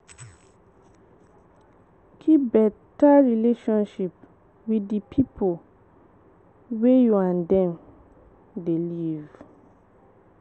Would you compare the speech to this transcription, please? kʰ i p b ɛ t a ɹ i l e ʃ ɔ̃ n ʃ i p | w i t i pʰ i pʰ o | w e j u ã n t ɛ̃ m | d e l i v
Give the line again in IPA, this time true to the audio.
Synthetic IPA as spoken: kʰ i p b ɛ t a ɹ i l e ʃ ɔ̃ n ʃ i p | w i d i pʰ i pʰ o | w e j u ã n d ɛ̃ m | d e l i v